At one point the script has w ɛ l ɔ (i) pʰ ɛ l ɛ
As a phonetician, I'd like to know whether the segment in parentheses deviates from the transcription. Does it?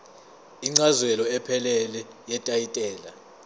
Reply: yes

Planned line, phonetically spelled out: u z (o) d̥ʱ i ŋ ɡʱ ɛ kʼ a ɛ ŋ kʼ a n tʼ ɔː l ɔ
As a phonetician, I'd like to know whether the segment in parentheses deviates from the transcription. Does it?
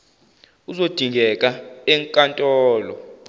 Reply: no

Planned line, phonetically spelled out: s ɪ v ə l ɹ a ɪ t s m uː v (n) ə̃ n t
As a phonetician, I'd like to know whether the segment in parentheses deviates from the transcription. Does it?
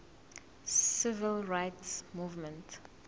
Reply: yes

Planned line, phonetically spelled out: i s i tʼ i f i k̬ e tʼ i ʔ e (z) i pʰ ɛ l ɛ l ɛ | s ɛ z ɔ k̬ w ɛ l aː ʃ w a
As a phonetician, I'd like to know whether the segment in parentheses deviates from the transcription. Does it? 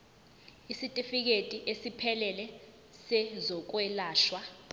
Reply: yes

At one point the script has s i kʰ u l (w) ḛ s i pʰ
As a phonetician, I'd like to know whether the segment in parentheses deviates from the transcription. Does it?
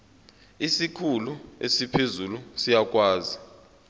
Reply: yes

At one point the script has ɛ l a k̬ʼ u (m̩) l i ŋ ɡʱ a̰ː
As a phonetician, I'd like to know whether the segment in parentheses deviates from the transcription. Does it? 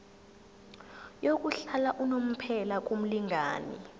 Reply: no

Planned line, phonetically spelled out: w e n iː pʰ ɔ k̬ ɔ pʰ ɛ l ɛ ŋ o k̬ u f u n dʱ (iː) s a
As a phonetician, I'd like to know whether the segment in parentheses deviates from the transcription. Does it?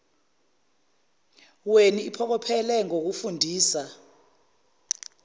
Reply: no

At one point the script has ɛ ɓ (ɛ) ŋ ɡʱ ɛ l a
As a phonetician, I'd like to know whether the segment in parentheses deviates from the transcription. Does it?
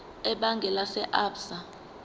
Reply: yes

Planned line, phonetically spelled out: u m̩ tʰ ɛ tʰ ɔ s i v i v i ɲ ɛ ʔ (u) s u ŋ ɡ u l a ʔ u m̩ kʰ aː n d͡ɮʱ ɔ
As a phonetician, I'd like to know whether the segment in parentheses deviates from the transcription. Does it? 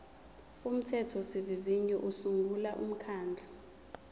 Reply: no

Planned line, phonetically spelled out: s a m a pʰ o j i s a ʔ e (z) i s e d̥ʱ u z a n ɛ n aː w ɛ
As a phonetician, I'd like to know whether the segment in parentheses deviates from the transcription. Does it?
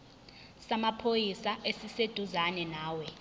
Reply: yes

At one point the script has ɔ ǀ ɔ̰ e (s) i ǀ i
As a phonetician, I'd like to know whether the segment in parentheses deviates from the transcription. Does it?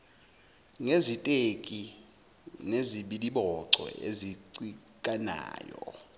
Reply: yes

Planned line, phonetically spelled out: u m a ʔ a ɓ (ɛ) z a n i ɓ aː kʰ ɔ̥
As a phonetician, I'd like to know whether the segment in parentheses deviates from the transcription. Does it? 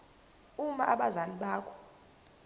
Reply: yes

